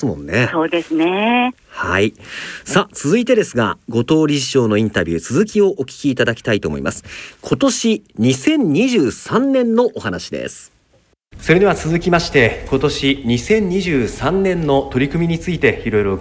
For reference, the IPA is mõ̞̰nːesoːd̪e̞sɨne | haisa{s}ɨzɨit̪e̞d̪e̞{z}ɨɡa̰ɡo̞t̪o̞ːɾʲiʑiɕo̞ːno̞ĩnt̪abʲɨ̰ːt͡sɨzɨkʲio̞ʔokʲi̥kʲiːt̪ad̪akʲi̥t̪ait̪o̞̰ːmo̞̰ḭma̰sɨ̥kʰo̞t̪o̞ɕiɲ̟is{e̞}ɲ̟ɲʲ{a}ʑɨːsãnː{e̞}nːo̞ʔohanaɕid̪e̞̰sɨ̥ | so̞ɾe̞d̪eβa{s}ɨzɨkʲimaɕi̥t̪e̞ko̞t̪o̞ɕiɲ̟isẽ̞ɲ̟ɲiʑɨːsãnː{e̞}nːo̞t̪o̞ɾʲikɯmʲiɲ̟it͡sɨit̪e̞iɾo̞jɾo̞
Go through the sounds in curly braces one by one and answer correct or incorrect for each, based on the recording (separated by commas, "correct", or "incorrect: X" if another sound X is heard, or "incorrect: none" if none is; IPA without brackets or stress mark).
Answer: incorrect: t͡s, incorrect: s, incorrect: ẽ̞, incorrect: i, incorrect: ẽ̞, incorrect: t͡s, incorrect: ẽ̞